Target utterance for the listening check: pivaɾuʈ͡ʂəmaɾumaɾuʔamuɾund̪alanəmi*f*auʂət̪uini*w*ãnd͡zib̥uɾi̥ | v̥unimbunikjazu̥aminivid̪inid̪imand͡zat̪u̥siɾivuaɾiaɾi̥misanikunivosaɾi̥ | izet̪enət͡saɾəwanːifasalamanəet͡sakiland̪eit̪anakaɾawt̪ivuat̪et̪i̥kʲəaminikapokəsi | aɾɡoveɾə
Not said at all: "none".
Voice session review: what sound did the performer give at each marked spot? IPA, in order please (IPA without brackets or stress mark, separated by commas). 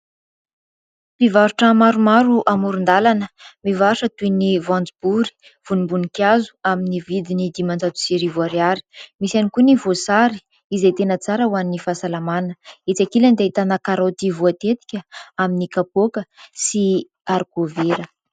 v, v